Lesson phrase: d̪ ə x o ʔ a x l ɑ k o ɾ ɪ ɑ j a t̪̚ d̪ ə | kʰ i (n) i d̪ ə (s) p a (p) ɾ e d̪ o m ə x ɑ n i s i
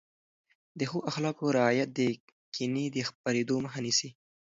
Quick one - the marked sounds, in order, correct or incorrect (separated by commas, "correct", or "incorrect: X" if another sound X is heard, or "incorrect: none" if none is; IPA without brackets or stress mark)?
correct, incorrect: x, incorrect: none